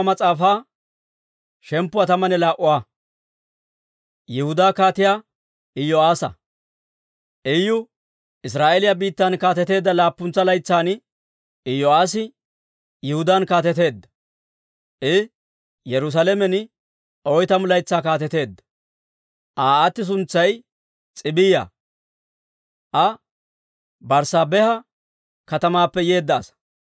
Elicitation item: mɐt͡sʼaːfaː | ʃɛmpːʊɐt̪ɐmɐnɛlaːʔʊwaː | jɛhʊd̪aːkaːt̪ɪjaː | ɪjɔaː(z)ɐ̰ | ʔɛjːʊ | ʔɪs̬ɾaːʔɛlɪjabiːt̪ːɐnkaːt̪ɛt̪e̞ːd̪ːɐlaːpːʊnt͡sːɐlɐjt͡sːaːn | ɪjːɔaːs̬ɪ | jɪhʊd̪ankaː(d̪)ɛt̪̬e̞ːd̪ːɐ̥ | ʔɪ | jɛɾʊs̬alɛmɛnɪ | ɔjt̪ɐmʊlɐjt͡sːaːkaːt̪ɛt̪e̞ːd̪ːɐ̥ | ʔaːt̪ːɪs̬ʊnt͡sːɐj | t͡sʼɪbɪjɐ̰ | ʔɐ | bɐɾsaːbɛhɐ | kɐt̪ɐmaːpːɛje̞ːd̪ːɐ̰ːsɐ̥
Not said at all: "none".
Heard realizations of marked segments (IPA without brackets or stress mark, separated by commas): s, t̪